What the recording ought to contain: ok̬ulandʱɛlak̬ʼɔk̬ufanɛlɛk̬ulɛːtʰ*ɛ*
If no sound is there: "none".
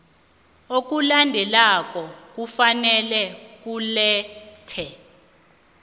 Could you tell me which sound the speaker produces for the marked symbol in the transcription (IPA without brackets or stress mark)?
ɛ